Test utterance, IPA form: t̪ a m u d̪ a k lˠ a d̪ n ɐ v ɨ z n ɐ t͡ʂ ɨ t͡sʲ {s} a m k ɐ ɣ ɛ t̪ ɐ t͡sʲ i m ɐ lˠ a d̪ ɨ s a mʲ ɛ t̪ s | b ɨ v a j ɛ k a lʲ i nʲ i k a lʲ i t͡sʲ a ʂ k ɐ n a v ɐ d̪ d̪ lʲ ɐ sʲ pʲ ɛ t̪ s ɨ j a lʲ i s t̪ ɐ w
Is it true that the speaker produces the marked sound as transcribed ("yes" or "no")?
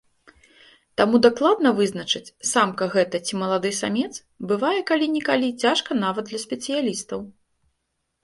yes